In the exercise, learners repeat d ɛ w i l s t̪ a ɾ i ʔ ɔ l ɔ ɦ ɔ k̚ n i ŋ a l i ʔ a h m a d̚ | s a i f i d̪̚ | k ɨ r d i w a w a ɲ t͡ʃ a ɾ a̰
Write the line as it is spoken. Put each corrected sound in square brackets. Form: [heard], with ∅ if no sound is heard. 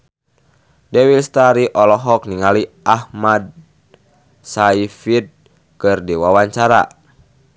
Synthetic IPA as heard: d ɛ w i l s t̪ a ɾ i ʔ ɔ l ɔ ɦ ɔ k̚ n i ŋ a l i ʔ a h m a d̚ | s a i f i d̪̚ | k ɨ r d i w a w a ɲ t͡ʃ a ɾ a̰

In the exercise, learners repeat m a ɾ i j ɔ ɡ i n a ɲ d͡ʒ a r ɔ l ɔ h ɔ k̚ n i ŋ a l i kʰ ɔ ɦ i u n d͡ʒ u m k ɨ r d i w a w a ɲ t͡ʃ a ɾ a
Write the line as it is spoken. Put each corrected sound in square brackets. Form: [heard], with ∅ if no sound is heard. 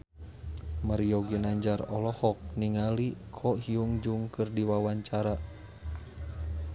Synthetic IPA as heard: m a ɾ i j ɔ ɡ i n a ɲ d͡ʒ a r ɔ l ɔ h ɔ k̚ n i ŋ a l i kʰ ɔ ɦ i u [ŋ] d͡ʒ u [ŋ] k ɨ r d i w a w a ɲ t͡ʃ a ɾ a

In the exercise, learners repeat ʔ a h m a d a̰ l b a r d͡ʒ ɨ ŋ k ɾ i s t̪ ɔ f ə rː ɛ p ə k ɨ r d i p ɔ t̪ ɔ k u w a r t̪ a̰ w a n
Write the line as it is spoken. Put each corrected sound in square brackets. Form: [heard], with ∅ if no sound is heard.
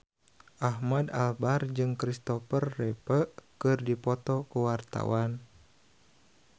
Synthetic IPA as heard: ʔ a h m a d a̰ l b a r d͡ʒ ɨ ŋ k ɾ i s t̪ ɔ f ə rː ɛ p ə k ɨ r d i p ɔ t̪ ɔ k u w a r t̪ a̰ w a n

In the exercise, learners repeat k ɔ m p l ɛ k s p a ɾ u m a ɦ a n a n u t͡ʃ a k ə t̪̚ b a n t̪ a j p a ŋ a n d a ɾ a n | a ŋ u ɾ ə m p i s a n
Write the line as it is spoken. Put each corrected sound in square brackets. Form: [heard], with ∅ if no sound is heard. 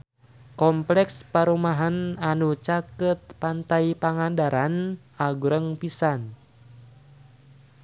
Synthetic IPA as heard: k ɔ m p l ɛ k s p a ɾ u m a ɦ a n a n u t͡ʃ a k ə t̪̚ [p] a n t̪ a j p a ŋ a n d a ɾ a n | a [ɡ] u ɾ ə [ŋ] p i s a n

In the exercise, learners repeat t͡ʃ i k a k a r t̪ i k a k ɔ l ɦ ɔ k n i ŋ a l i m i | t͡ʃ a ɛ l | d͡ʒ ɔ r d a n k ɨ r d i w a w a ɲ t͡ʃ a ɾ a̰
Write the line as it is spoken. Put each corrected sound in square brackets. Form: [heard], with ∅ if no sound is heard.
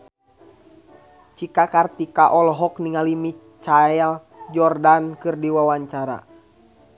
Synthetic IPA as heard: t͡ʃ i k a k a r t̪ i k a [ʔ] ɔ l ɦ ɔ k n i ŋ a l i m i | t͡ʃ a ɛ l | d͡ʒ ɔ r d a n k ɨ r d i w a w a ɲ t͡ʃ a ɾ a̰

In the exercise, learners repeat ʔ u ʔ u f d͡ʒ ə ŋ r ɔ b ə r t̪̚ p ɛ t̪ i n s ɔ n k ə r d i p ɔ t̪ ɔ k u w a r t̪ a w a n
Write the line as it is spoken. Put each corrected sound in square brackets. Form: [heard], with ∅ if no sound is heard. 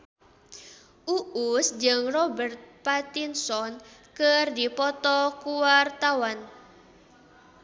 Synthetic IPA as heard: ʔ u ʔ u [s] d͡ʒ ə ŋ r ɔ b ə r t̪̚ p [a] t̪ i n s ɔ n k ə r d i p ɔ t̪ ɔ k u w a r t̪ a w a n

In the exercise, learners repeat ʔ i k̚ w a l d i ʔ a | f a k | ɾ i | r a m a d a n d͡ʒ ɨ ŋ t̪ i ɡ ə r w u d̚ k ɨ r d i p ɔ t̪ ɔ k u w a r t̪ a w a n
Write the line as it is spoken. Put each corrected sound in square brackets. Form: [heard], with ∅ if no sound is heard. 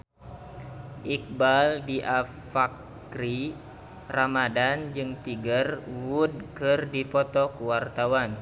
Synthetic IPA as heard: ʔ i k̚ [b] a l d i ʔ a | f a k | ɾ i | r a m a d a n d͡ʒ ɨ ŋ t̪ i ɡ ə r w u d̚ k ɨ r d i p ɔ t̪ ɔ k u w a r t̪ a w a n

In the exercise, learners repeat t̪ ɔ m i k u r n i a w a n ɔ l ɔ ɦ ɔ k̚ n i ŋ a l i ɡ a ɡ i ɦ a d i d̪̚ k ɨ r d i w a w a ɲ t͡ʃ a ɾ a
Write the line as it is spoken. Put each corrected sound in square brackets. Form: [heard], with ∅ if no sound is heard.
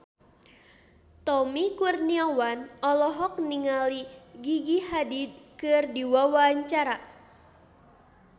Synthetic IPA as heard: t̪ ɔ m i k u r n i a w a n ɔ l ɔ ɦ ɔ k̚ n i ŋ a l i ɡ [i] ɡ i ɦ a d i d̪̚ k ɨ r d i w a w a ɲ t͡ʃ a ɾ a

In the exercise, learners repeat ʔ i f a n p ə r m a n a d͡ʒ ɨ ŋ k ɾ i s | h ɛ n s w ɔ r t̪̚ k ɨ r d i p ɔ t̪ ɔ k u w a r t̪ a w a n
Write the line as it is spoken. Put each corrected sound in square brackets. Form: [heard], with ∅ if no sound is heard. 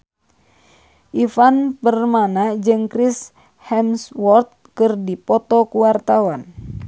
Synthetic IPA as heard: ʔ i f a n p ə r m a n a d͡ʒ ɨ ŋ k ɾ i s | h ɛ [m] s w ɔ r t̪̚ k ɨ r d i p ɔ t̪ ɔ k u w a r t̪ a w a n

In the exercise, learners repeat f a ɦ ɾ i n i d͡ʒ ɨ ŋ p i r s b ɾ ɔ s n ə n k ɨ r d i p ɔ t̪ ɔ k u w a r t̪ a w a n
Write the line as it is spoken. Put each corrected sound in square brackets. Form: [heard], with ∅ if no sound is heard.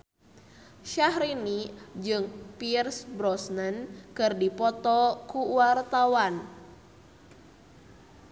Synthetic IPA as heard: [ʃ] a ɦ ɾ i n i d͡ʒ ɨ ŋ p i r s b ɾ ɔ s n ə n k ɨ r d i p ɔ t̪ ɔ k u w a r t̪ a w a n

